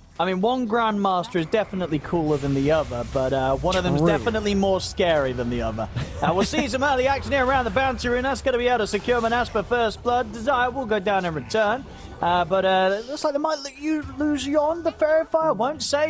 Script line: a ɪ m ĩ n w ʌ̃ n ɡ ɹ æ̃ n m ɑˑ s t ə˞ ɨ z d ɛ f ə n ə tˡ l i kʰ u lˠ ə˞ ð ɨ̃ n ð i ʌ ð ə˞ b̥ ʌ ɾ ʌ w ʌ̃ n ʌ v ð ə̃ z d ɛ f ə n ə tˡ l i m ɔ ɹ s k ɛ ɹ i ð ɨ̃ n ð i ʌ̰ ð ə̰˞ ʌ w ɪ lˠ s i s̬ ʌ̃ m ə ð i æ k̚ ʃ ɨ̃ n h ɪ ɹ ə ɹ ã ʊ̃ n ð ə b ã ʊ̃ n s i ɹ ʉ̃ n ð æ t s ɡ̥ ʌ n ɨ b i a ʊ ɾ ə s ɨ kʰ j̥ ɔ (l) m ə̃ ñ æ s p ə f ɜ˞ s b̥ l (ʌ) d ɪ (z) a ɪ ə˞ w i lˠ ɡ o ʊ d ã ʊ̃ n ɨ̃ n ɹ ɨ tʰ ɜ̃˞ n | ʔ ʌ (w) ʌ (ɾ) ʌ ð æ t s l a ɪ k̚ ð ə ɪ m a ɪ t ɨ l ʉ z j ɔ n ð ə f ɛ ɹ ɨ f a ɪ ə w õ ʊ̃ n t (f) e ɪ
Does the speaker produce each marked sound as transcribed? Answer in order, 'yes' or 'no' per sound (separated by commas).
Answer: no, yes, yes, no, yes, no